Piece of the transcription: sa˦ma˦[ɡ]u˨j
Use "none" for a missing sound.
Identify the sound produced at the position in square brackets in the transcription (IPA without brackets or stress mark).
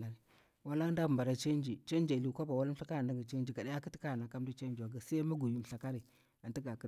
ɡ